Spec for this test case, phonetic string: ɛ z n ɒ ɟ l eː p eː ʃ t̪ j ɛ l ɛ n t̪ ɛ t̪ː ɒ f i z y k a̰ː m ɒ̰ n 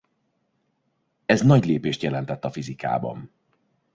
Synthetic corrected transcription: ɛ z n ɒ ɟ l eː p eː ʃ t̪ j ɛ l ɛ n t̪ ɛ t̪ː ɒ f i z i k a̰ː b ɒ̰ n